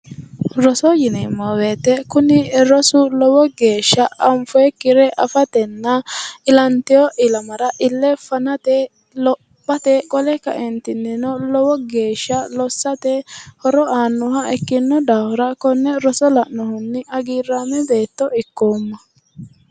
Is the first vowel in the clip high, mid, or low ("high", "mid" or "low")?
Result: mid